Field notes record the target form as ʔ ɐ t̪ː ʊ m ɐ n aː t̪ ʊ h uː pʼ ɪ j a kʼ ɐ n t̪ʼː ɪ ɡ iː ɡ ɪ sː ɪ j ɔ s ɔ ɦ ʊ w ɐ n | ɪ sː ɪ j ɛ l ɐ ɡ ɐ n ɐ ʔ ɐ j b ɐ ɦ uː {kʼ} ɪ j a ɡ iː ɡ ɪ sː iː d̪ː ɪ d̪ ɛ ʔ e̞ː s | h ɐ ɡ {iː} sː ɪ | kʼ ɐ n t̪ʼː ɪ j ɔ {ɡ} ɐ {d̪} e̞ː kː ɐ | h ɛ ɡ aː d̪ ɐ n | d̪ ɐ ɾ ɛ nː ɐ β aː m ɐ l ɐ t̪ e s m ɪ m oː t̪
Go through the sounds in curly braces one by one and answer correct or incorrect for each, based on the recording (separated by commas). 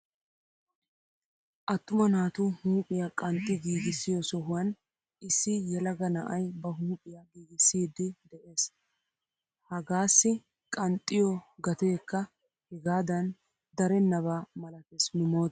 incorrect, incorrect, correct, incorrect